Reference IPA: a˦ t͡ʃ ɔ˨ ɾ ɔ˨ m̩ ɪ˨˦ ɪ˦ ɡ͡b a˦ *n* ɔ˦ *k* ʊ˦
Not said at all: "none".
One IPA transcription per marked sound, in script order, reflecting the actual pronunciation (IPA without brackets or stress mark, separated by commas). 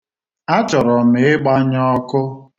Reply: ɲ, k